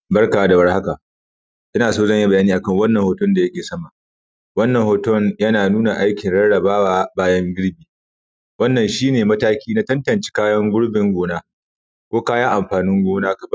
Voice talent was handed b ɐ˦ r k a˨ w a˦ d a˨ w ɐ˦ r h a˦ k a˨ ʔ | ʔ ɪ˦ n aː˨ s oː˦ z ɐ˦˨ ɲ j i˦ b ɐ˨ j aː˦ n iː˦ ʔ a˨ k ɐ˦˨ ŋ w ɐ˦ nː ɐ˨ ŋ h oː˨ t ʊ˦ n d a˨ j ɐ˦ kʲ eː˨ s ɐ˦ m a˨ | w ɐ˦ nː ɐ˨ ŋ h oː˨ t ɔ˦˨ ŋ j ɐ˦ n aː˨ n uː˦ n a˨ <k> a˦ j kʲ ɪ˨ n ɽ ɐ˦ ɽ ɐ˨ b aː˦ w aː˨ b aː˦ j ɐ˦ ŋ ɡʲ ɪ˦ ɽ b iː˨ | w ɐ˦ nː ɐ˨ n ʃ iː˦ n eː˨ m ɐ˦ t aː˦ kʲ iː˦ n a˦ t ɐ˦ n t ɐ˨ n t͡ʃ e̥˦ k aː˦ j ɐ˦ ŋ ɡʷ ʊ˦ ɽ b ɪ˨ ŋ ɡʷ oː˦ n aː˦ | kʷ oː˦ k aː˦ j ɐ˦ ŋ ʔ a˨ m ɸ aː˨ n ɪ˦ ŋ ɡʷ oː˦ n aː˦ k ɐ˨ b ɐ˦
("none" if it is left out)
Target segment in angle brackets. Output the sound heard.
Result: ʔ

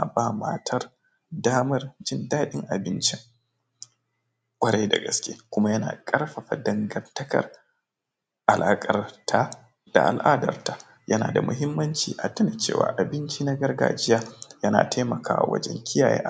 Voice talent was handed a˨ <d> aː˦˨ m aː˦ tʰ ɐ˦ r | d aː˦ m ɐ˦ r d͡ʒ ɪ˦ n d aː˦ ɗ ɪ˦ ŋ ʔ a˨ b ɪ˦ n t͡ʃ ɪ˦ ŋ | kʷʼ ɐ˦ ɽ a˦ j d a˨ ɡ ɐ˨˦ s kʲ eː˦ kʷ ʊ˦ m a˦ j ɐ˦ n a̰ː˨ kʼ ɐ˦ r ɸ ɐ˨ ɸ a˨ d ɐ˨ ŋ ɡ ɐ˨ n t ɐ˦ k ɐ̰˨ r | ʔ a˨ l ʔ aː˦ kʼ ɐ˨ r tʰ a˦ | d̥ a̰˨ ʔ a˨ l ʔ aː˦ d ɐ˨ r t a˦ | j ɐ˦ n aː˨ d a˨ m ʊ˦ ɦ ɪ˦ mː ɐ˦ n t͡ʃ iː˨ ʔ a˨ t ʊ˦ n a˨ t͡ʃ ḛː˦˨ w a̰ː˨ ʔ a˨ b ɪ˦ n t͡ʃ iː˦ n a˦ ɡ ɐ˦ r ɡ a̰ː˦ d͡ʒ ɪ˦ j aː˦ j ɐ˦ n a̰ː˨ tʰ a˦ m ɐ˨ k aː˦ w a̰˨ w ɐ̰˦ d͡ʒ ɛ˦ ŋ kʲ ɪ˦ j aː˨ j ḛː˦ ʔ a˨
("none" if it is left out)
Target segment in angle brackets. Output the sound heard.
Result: b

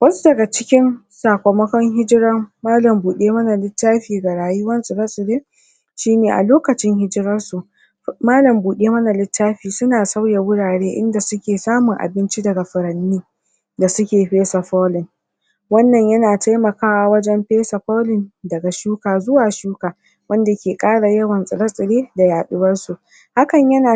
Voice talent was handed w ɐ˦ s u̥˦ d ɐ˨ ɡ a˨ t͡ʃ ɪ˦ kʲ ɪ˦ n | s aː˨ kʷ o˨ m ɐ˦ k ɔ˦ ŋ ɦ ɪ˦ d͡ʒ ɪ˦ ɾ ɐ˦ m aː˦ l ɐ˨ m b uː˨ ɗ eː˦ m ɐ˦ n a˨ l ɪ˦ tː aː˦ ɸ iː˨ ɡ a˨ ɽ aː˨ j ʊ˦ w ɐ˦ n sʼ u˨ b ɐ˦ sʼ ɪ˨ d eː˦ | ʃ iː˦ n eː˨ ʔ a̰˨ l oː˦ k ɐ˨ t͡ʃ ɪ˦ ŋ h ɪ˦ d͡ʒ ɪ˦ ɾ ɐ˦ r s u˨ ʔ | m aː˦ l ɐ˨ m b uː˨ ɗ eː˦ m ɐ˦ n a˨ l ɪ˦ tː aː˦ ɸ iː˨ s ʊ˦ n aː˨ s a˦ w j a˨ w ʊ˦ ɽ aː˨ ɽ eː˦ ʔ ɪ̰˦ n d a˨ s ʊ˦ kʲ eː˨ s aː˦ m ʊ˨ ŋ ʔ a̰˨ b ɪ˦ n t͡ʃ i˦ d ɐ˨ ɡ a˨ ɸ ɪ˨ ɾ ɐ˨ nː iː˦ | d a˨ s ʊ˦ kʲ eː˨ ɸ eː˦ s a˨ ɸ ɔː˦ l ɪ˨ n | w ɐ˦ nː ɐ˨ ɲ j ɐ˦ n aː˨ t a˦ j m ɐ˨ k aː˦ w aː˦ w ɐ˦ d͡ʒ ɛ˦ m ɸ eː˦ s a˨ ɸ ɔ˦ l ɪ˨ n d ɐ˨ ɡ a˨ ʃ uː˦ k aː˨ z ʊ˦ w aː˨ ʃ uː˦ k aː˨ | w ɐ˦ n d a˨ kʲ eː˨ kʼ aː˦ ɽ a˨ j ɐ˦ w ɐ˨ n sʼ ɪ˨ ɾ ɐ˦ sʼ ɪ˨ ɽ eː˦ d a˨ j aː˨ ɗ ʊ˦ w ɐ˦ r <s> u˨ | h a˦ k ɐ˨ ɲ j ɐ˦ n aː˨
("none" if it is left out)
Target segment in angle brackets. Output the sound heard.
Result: s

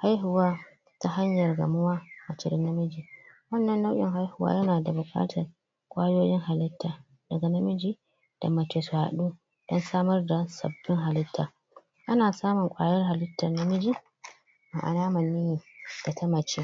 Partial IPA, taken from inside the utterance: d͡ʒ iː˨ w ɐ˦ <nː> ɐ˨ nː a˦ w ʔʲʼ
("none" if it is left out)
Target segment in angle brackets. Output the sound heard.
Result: nː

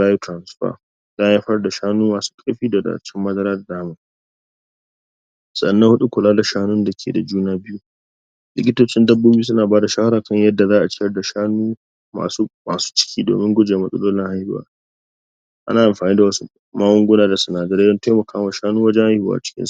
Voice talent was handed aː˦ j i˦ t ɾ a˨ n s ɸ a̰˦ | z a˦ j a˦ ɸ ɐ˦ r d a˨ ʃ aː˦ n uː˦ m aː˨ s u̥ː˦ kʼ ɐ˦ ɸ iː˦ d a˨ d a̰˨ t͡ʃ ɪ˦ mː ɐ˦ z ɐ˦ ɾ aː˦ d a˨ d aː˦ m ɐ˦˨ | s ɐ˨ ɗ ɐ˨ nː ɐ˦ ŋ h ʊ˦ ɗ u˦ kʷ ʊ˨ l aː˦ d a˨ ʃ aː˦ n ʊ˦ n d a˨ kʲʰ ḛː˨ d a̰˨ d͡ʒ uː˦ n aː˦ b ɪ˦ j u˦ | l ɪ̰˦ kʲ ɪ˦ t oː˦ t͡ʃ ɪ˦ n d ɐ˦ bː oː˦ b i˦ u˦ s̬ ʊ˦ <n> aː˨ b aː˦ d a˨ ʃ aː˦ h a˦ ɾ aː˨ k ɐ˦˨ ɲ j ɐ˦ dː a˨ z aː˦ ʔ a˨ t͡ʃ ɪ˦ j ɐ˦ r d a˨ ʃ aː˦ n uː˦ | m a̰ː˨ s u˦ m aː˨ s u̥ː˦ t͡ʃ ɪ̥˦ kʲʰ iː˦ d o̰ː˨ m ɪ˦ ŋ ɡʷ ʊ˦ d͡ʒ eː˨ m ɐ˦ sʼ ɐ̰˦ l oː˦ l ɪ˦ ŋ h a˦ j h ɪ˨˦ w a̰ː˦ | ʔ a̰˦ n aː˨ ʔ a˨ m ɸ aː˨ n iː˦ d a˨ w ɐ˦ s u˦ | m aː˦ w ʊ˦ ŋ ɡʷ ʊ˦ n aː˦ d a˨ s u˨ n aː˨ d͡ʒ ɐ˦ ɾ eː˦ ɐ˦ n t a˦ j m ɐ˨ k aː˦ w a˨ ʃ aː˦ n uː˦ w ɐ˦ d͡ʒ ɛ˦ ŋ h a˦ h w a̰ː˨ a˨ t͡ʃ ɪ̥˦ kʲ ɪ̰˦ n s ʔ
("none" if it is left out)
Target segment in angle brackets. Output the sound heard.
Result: n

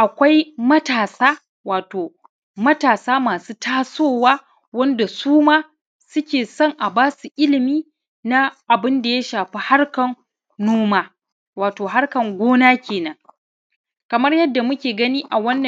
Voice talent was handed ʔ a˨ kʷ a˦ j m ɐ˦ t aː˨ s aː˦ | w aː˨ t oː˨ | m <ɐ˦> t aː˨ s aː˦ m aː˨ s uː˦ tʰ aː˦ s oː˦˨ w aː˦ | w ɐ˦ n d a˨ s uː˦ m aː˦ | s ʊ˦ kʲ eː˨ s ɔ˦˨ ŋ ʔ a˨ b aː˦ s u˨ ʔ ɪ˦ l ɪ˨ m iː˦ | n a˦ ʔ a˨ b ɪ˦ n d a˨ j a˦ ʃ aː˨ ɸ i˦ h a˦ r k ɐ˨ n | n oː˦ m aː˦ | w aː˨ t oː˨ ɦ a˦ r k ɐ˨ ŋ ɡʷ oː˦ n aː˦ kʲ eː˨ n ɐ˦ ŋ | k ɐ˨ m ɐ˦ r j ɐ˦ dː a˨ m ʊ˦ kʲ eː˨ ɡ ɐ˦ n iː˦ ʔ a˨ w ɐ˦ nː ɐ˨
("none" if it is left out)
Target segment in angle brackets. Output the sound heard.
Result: ɐ˦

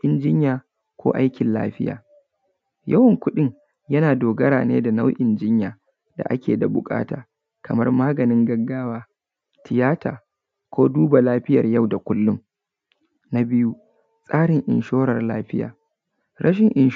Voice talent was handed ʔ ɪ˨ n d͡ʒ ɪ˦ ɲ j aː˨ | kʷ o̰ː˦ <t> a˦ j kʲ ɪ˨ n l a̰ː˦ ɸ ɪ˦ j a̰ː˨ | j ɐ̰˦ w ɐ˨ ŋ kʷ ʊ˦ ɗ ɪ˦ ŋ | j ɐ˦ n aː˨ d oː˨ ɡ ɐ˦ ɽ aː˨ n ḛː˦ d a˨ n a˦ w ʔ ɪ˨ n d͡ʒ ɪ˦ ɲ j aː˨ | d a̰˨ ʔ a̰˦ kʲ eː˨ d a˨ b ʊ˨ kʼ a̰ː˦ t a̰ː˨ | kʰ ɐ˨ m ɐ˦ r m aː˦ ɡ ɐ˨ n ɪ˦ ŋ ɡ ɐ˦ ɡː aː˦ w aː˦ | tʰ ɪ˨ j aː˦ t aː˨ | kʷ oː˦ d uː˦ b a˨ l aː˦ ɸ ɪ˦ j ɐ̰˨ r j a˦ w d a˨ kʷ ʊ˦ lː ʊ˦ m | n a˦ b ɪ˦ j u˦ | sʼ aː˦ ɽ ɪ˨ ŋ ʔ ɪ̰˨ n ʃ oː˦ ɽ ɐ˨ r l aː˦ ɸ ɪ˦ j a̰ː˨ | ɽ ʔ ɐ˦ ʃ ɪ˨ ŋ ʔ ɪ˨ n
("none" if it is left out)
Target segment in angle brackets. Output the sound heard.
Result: ʔ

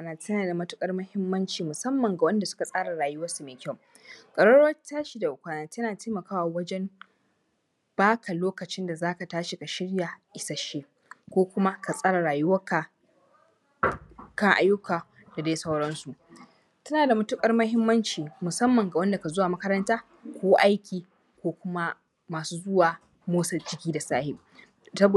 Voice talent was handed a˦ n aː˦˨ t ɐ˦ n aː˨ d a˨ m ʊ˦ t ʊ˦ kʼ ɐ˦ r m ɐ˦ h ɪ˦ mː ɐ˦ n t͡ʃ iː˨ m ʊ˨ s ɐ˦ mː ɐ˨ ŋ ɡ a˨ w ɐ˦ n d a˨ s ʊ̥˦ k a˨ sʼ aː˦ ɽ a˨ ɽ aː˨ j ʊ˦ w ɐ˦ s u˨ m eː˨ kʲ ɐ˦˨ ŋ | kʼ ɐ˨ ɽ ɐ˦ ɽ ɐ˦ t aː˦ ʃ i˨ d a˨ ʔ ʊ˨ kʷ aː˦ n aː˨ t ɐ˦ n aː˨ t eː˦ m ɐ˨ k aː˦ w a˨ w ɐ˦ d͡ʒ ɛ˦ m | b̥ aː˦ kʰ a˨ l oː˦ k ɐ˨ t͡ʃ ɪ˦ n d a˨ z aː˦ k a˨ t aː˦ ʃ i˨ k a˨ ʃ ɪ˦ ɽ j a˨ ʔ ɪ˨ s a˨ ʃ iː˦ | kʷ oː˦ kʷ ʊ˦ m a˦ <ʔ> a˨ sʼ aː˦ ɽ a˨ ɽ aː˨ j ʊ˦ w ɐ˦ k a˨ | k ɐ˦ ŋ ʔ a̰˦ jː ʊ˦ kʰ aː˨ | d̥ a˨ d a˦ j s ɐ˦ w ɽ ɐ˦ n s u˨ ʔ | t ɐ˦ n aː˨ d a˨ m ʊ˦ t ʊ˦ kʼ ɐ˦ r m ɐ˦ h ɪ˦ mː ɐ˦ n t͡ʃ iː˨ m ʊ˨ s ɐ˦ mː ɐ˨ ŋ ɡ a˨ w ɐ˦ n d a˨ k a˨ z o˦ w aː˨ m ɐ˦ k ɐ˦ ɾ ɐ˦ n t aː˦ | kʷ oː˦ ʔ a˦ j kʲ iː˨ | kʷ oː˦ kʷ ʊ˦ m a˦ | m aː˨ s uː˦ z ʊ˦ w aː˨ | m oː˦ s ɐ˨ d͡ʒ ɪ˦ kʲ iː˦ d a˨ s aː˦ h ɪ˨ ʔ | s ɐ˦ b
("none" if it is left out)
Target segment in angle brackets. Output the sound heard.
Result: k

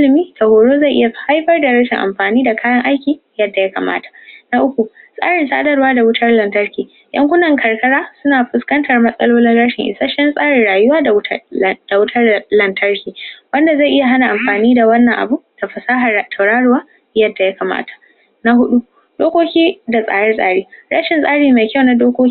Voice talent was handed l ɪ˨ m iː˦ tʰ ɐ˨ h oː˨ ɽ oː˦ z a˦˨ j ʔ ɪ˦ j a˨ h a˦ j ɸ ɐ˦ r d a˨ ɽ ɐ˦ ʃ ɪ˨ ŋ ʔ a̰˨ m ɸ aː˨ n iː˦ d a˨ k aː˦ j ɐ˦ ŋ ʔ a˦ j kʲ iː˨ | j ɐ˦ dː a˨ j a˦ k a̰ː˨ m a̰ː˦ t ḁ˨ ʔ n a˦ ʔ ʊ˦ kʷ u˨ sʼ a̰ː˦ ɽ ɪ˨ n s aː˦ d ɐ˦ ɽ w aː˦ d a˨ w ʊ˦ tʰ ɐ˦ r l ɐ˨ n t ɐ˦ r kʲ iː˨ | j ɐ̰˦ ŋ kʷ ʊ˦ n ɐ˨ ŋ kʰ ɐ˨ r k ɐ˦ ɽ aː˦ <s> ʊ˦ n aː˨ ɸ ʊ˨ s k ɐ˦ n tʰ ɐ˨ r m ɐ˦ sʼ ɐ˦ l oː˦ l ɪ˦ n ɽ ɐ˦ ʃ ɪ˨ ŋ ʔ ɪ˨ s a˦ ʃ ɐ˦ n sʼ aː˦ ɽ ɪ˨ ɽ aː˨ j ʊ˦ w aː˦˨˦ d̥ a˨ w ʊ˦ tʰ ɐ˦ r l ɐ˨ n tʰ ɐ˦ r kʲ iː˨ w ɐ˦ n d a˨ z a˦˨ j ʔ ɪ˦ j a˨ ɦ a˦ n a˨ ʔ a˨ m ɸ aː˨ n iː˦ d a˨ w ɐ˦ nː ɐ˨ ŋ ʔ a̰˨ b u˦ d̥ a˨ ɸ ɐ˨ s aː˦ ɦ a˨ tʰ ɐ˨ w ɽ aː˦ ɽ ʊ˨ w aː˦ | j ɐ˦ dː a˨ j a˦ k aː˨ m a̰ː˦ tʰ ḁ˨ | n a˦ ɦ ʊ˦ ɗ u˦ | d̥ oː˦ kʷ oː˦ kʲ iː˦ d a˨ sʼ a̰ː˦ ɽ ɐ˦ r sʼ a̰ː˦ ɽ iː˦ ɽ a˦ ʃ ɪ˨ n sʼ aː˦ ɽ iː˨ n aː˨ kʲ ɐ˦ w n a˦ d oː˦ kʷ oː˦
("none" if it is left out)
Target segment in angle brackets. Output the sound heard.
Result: s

